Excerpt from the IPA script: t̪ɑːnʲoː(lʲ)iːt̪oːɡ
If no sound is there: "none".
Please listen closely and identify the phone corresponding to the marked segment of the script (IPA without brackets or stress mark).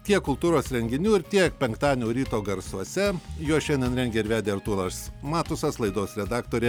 ɾʲ